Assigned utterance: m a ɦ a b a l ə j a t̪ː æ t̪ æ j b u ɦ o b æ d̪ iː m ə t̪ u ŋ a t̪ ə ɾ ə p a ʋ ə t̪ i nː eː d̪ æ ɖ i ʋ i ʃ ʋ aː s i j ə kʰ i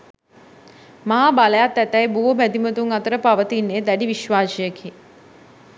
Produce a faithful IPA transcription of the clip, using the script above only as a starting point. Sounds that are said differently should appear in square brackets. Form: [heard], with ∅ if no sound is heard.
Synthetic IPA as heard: m a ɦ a b a l ə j a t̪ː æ t̪ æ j b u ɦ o b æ d̪ [i] m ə t̪ u ŋ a t̪ ə ɾ ə p a ʋ ə t̪ i nː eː d̪ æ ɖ i ʋ i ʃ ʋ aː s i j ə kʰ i